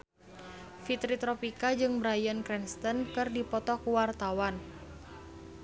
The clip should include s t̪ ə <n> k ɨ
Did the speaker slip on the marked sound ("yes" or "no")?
no